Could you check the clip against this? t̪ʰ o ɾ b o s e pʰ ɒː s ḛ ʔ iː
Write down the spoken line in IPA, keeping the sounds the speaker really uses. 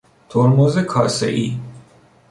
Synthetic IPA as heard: t̪ʰ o ɾ m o z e kʰ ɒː s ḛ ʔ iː